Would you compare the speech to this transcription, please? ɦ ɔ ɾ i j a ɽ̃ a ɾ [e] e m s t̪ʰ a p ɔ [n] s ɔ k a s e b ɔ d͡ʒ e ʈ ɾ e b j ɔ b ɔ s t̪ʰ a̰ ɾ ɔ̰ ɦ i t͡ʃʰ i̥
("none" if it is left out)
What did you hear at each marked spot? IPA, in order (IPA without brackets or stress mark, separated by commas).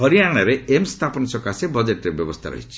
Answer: e, n